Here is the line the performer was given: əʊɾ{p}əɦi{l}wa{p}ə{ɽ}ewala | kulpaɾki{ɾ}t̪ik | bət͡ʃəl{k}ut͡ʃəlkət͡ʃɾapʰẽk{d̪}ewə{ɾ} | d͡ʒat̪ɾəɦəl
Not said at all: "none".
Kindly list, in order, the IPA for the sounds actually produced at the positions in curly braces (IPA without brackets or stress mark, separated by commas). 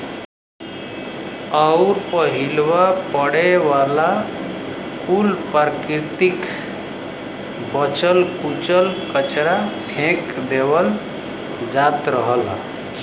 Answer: p, l, p, ɽ, ɾ, k, d̪, l